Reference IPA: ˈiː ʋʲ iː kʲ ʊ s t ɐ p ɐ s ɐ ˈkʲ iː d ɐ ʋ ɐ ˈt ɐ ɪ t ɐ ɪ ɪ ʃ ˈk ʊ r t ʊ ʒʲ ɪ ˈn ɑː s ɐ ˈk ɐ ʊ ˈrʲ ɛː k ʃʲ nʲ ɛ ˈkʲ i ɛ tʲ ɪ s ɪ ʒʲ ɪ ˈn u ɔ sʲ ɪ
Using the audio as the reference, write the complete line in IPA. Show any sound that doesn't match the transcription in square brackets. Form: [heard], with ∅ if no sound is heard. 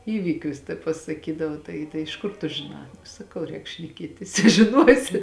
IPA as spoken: ˈiː ʋʲ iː kʲ ʊ s t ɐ p ɐ s ɐ ˈkʲ iː d ɐ ʋ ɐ ˈt ɐ ɪ t ɐ ɪ ɪ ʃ ˈk ʊ r t ʊ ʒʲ ɪ ˈn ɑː s ɐ ˈk ɐ ʊ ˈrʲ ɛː k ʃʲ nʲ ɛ ˈkʲ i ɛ tʲ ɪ s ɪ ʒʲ ɪ ˈn u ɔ sʲ ɪ